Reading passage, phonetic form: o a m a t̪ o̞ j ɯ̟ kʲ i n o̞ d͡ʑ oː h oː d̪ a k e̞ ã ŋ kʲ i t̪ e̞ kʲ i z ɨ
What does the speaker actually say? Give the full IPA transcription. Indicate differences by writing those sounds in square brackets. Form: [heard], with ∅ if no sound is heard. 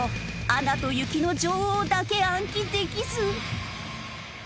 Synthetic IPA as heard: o a [n] a t̪ o̞ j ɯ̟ kʲ i n o̞ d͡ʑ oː h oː d̪ a k e̞ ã ŋ kʲ i [d̪] e̞ kʲ i z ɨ